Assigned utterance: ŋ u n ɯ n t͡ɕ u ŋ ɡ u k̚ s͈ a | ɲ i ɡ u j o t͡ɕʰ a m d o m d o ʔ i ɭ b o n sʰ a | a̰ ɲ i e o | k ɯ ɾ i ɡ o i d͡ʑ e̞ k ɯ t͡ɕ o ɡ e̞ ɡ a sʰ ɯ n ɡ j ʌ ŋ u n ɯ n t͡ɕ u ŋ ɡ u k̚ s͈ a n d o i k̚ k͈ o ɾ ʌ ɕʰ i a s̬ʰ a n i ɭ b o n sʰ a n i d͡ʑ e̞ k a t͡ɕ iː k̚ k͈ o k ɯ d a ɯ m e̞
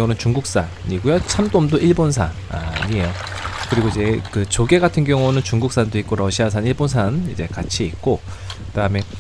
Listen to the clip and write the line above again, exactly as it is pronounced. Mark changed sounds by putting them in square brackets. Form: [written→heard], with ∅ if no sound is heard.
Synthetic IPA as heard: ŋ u n ɯ n t͡ɕ u ŋ ɡ u k̚ s͈ a | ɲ i ɡ u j o t͡ɕʰ a m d o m d o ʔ i ɭ b o n sʰ a | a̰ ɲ i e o | k ɯ ɾ i ɡ o i d͡ʑ e̞ k ɯ t͡ɕ o ɡ e̞ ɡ a [sʰ→tʰ] ɯ n ɡ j ʌ ŋ u n ɯ n t͡ɕ u ŋ ɡ u k̚ s͈ a n d o i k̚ k͈ o ɾ ʌ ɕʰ i a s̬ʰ a n i ɭ b o n sʰ a n i d͡ʑ e̞ k a [t͡ɕ→t͡ɕʰ] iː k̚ k͈ o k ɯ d a ɯ m e̞

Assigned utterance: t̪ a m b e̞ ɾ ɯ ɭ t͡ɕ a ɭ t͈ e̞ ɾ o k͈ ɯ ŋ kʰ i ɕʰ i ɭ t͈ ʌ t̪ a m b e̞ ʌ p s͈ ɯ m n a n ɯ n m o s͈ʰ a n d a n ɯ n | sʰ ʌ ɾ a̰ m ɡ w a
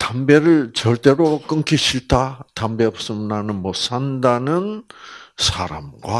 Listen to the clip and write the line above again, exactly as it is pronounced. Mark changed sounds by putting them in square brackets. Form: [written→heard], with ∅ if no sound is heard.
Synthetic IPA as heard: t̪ a m b e̞ ɾ ɯ ɭ t͡ɕ [a→ʌ] ɭ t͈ e̞ ɾ o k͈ ɯ ŋ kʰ i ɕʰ i ɭ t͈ [ʌ→a] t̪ a m b e̞ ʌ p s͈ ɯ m n a n ɯ n m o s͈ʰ a n d a n ɯ n | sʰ [ʌ→a] ɾ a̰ m ɡ w a

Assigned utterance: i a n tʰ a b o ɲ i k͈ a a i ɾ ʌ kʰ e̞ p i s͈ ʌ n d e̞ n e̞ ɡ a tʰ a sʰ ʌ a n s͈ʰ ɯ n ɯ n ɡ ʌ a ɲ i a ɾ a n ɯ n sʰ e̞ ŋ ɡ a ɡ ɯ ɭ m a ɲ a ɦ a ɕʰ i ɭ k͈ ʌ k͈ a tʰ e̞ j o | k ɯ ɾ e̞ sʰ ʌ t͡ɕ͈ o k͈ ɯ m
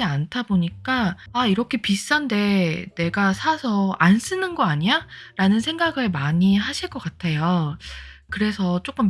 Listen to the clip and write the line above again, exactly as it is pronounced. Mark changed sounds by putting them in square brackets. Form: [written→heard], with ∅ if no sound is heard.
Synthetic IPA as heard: i a n tʰ a b o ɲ i k͈ a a i ɾ ʌ kʰ e̞ p i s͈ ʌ n d e̞ n e̞ ɡ a [tʰ→sʰ] a sʰ ʌ a n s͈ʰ ɯ n ɯ n ɡ ʌ a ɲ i a ɾ a n ɯ n sʰ e̞ ŋ ɡ a ɡ ɯ ɭ m a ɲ [a→i] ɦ a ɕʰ i ɭ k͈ ʌ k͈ a tʰ e̞ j o | k ɯ ɾ e̞ sʰ ʌ t͡ɕ͈ o k͈ ɯ m

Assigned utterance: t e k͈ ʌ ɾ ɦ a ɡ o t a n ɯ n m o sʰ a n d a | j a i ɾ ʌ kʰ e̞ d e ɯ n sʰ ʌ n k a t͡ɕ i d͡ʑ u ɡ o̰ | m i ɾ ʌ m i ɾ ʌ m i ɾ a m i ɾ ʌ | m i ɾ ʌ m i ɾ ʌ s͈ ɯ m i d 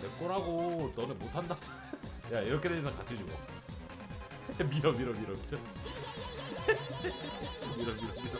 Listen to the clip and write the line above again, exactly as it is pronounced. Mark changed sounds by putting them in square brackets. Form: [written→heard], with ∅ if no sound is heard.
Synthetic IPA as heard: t e k͈ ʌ ɾ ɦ a ɡ o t [a→ʌ] n ɯ n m o [sʰ→tʰ] a n d a | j a i ɾ ʌ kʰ e̞ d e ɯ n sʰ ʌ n k a [t͡ɕ→t͡ɕʰ] i d͡ʑ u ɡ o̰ | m i ɾ ʌ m i ɾ ʌ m i ɾ [a→ʌ] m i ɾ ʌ | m i ɾ ʌ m i ɾ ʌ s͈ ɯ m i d

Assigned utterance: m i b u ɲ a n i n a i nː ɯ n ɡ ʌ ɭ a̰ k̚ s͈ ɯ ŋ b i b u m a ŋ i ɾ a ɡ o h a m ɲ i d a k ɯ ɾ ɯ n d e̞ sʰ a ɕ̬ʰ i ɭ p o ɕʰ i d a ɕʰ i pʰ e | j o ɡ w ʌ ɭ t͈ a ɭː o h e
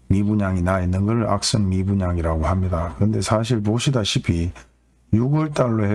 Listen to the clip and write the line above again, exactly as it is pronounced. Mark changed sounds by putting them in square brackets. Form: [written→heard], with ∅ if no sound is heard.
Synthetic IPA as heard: m i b u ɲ a [n→ŋ] i n a i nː ɯ n ɡ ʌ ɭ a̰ k̚ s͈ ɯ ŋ [b→m] i b u [m→ɲ] a ŋ i ɾ a ɡ o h a m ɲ i d a k ɯ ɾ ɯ n d e̞ sʰ a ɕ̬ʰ i ɭ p o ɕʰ i d a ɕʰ i pʰ [e→i] | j [o→u] ɡ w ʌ ɭ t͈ a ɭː o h e

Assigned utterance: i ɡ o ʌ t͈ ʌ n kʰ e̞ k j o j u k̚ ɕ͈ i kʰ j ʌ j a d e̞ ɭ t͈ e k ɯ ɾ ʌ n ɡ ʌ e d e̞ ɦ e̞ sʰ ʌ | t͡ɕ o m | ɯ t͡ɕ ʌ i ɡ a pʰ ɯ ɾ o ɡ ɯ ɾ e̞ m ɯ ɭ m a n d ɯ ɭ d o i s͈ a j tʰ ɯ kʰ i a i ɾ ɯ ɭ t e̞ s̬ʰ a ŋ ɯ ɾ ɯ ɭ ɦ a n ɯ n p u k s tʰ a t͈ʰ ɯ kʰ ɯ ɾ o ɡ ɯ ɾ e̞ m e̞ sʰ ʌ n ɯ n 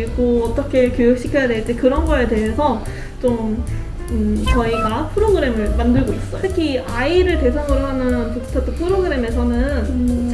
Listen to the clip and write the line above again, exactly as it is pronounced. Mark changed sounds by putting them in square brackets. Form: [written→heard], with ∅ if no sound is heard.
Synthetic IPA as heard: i ɡ o ʌ t͈ ʌ [n→∅] kʰ e̞ k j o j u k̚ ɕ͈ i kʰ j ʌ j a d e̞ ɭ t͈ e k ɯ ɾ ʌ n ɡ ʌ e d e̞ ɦ e̞ sʰ ʌ | t͡ɕ o m | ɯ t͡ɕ ʌ i ɡ a pʰ ɯ ɾ o ɡ ɯ ɾ e̞ m ɯ ɭ m a n d ɯ ɭ [d→ɡ] o i s͈ [a→ʌ] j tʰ ɯ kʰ i a i ɾ ɯ ɭ t e̞ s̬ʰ a ŋ ɯ ɾ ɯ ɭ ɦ a n ɯ n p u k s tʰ a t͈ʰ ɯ [kʰ→pʰ] ɯ ɾ o ɡ ɯ ɾ e̞ m e̞ sʰ ʌ n ɯ n

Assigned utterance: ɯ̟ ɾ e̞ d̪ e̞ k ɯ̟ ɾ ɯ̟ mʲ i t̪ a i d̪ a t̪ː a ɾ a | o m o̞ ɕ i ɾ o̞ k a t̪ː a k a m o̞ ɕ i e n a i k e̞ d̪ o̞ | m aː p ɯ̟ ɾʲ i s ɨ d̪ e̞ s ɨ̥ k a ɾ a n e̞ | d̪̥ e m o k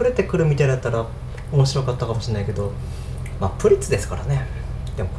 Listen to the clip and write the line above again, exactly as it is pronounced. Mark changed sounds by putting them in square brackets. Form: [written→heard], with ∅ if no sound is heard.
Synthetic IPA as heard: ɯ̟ ɾ e̞ [d̪→t̪] e̞ k ɯ̟ ɾ ɯ̟ mʲ i t̪ a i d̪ a t̪ː a ɾ a | o m o̞ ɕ i ɾ o̞ k a t̪ː a k a m o̞ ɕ i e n a i k e̞ d̪ o̞ | m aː p ɯ̟ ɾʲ i [s→t͡s] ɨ d̪ e̞ s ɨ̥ k a ɾ a n e̞ | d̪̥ e m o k

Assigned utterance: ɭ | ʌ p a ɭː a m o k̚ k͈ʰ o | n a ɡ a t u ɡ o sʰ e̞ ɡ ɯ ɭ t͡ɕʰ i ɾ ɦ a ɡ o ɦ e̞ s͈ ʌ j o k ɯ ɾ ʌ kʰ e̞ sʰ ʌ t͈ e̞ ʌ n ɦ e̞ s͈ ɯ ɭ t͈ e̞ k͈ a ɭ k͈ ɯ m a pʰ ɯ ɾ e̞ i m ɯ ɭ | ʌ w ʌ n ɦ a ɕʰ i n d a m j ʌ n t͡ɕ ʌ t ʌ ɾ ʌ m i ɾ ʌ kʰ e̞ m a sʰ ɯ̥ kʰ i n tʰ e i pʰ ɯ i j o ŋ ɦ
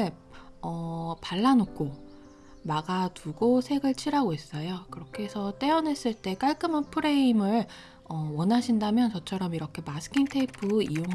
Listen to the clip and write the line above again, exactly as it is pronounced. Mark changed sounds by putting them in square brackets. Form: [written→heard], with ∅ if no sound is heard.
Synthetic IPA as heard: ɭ | ʌ p a ɭː a [m→n] o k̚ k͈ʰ o | [n→m] a ɡ a t u ɡ o sʰ e̞ ɡ ɯ ɭ t͡ɕʰ i ɾ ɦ a ɡ o ɦ e̞ s͈ ʌ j o k ɯ ɾ ʌ kʰ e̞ sʰ ʌ t͈ e̞ ʌ n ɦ e̞ s͈ ɯ ɭ t͈ e̞ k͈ a ɭ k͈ ɯ m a pʰ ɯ ɾ e̞ i m ɯ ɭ | ʌ w ʌ n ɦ a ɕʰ i n d a m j ʌ n t͡ɕ ʌ [t→t͡ɕʰ] ʌ ɾ ʌ m i ɾ ʌ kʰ e̞ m a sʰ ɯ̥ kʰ i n tʰ e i pʰ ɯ i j o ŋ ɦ

